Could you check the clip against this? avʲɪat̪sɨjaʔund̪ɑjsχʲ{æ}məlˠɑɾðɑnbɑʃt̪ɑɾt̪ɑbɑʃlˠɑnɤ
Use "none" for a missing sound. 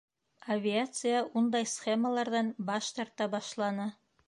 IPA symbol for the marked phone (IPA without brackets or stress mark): e